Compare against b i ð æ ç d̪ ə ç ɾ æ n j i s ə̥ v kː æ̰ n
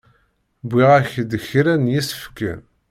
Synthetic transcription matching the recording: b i ʁ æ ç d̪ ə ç ɾ æ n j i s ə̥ f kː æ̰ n